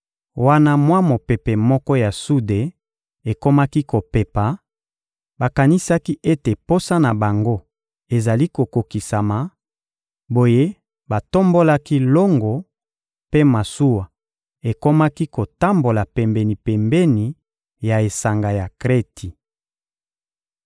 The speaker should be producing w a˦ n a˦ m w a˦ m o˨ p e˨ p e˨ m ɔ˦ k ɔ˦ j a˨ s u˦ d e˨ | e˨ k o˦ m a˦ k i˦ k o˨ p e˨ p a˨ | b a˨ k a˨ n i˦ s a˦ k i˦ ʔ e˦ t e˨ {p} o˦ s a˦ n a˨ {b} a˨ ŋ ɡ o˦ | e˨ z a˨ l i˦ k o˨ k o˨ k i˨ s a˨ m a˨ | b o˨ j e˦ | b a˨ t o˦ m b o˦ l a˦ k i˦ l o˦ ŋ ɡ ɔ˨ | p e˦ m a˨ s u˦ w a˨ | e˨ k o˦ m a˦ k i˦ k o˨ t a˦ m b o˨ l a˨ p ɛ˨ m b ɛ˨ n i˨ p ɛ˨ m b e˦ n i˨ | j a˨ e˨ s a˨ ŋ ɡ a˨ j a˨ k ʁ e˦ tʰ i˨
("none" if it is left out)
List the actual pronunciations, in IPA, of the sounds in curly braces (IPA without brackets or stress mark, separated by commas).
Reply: p, b